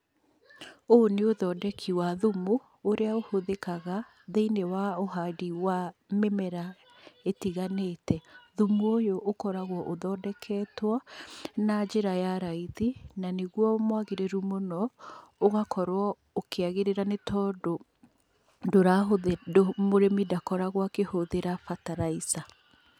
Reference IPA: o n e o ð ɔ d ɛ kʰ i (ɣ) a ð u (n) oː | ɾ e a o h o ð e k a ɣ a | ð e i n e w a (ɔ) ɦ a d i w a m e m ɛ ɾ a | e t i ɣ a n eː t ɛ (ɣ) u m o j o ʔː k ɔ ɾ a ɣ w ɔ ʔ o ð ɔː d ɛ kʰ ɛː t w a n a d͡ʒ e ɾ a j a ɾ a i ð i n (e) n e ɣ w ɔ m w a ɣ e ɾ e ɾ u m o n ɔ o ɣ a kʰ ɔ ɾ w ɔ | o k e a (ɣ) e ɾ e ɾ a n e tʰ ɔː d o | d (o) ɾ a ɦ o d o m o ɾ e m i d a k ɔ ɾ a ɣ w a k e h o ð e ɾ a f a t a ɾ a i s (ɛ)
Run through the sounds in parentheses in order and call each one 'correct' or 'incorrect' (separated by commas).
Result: incorrect, incorrect, incorrect, incorrect, incorrect, correct, correct, incorrect